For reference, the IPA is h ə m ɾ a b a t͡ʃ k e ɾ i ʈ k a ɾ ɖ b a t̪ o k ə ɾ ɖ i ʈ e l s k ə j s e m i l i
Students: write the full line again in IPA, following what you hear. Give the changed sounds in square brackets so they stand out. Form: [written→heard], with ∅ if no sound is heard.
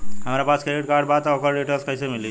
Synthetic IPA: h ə m ɾ a [b→p] a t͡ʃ k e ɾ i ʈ k a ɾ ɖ b a t̪ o k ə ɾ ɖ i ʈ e l s k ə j s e m i l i